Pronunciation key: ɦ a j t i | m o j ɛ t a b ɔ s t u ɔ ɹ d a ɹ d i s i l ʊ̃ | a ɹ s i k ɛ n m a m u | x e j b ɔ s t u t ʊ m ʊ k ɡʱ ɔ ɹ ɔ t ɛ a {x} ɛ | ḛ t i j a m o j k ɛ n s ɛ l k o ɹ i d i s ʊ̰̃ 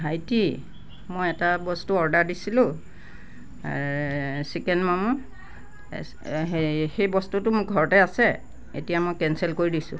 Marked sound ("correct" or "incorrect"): incorrect